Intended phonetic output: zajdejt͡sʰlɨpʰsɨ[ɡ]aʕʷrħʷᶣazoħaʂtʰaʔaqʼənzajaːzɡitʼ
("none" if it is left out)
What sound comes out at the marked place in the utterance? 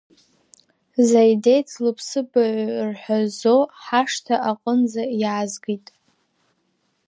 b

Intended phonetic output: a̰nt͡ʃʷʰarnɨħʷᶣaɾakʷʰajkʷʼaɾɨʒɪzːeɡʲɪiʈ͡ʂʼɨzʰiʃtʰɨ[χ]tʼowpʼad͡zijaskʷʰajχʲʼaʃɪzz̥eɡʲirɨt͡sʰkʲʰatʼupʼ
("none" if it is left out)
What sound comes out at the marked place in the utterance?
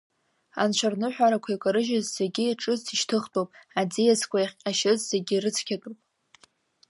χ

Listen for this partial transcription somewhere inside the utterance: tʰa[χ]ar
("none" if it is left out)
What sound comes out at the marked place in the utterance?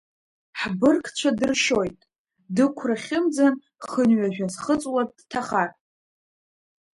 χ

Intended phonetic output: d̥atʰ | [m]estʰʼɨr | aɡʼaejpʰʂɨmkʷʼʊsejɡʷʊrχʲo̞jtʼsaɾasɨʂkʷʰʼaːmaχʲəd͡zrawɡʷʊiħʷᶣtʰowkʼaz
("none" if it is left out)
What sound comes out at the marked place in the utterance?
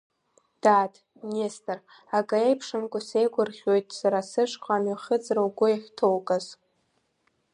n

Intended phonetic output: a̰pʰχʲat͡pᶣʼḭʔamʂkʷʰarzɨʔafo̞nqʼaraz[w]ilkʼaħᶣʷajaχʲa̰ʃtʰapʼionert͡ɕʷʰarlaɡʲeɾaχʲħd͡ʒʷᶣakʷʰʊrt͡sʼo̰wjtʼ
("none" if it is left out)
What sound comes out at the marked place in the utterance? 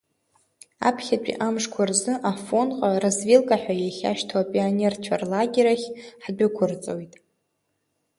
v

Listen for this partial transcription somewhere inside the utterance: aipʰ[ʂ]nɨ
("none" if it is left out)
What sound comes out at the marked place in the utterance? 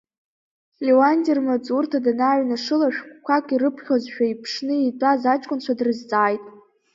ʂ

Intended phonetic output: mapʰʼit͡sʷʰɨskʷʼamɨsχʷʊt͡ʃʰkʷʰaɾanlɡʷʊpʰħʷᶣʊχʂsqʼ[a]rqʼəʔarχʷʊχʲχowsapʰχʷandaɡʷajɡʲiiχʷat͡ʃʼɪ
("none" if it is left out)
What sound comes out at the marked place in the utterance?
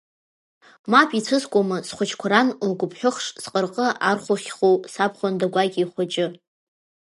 ə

